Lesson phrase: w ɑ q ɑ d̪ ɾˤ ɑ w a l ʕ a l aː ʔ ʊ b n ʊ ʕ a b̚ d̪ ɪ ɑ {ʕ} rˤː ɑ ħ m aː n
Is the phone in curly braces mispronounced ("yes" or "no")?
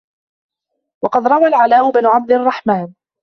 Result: yes